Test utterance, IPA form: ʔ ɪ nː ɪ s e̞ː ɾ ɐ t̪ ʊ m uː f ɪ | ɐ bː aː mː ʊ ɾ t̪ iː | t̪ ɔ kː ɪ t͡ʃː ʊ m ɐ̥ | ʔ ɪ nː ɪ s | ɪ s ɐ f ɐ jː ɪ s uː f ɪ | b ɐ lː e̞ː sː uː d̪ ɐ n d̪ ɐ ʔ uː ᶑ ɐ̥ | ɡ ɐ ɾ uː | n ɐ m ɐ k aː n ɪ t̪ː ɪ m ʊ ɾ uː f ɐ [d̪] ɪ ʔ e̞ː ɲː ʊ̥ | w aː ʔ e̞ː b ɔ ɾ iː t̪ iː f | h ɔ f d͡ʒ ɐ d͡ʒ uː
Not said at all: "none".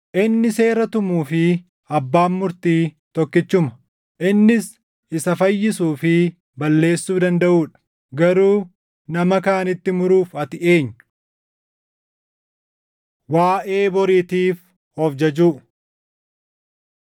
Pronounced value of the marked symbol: t̪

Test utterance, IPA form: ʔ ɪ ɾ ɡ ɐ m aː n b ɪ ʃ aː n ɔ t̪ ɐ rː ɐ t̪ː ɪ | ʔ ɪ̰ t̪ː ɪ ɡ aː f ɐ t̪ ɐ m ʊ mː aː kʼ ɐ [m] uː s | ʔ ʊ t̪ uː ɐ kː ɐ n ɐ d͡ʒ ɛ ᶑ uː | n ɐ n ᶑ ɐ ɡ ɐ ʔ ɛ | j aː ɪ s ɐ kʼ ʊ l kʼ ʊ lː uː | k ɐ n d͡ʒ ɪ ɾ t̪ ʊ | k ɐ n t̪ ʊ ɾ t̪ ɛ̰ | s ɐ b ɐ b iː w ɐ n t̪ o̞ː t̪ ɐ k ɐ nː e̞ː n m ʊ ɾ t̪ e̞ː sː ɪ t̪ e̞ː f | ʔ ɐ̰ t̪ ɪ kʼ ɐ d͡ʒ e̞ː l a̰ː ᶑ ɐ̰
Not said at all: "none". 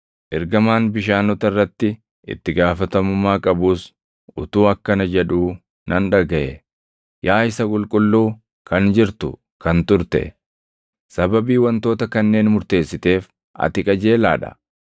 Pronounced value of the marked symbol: b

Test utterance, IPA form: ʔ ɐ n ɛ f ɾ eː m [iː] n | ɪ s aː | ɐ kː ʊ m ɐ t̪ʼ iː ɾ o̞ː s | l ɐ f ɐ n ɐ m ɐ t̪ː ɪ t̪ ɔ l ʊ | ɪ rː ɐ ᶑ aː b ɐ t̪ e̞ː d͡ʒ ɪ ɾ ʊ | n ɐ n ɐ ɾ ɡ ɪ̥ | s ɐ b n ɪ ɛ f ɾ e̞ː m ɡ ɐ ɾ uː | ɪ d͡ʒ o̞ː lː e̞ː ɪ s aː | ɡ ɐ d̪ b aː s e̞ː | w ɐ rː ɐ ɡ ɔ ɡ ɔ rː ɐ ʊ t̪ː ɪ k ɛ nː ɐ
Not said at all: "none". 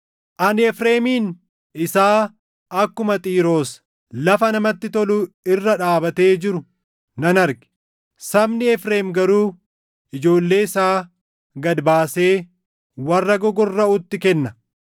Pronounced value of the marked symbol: iː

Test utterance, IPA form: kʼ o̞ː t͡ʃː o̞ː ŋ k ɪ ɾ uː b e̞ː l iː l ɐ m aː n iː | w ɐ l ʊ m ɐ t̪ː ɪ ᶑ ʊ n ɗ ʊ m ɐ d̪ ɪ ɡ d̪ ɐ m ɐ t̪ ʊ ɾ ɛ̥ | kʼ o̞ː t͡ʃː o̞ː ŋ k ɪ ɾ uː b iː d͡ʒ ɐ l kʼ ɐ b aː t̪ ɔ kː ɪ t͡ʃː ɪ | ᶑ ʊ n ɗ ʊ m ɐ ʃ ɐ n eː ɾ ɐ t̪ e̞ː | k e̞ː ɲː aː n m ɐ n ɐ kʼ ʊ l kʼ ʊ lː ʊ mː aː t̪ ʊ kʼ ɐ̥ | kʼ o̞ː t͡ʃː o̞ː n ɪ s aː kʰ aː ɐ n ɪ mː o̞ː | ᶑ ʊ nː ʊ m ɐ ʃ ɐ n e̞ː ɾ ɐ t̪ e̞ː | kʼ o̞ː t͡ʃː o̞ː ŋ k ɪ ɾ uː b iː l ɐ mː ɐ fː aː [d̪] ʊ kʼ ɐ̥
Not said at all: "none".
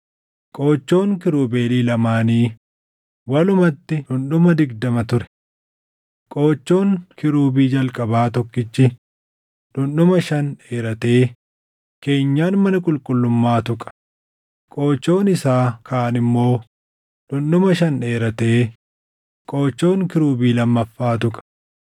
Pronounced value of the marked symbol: t̪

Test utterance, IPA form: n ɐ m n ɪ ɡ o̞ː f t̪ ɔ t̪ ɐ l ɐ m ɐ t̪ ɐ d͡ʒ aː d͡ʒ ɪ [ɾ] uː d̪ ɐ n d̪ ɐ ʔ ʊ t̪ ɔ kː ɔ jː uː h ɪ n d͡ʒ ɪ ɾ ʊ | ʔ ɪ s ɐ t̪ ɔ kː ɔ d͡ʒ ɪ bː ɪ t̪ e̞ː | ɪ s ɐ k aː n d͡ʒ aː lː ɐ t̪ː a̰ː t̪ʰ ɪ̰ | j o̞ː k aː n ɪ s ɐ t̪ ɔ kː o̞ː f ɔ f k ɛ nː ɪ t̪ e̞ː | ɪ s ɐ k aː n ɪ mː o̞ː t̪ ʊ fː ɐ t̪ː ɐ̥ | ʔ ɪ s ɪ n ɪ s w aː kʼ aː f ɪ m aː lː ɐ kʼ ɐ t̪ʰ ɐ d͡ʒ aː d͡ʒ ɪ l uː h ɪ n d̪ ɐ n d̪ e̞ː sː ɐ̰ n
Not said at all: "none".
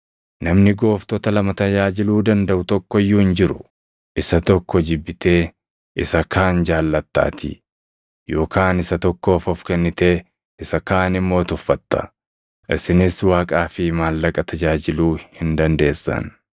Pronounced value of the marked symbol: l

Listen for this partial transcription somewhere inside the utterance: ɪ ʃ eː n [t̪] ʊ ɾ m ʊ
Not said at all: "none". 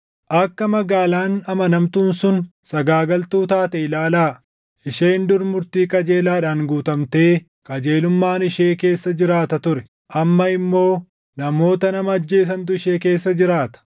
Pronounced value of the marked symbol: d̪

